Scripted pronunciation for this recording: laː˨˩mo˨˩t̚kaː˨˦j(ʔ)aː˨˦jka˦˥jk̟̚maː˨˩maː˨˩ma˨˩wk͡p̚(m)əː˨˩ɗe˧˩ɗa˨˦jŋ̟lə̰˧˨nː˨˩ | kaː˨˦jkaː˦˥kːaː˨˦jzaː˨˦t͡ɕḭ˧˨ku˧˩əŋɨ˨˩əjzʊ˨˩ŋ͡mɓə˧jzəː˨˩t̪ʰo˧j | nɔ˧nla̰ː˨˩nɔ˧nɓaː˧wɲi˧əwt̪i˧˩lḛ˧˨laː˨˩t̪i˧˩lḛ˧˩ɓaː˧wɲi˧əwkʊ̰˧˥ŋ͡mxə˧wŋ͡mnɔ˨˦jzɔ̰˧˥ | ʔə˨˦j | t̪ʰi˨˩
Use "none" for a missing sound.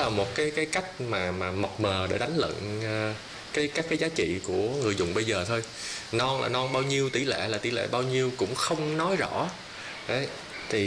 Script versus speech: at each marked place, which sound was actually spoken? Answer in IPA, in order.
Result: k, m

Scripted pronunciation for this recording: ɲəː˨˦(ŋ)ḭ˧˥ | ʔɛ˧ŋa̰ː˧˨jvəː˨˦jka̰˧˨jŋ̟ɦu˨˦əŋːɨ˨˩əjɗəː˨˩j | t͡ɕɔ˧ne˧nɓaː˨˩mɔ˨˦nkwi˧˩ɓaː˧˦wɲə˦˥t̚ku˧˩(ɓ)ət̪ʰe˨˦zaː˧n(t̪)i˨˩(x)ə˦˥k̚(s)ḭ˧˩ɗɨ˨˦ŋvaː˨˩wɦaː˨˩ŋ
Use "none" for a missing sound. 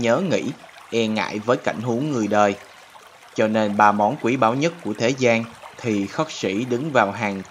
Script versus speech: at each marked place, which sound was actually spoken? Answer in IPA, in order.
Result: ŋ, none, t̪ʰ, x, s

